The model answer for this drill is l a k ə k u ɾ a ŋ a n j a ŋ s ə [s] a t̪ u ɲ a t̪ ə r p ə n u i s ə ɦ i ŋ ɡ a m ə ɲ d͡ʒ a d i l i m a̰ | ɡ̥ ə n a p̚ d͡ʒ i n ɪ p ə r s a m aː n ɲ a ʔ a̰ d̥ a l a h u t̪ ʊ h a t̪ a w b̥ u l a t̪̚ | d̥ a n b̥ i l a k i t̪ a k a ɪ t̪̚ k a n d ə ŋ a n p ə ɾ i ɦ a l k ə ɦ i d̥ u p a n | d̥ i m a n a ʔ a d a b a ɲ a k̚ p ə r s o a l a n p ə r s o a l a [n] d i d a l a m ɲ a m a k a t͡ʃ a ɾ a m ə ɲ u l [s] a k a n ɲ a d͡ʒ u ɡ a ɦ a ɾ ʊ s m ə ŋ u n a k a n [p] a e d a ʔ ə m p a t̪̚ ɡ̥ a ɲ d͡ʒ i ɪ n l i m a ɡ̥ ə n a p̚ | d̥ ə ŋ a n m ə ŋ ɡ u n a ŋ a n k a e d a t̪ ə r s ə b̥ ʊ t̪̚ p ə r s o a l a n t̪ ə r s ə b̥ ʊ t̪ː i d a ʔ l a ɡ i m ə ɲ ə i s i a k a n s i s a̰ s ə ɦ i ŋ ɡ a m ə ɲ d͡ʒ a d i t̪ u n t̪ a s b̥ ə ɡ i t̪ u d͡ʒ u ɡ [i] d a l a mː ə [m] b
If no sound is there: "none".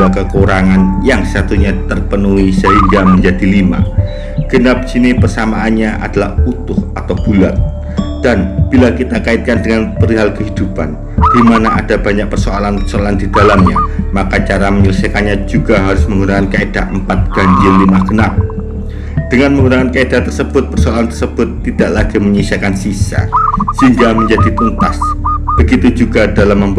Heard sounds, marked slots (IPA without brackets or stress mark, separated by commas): s, n, s, k, a, m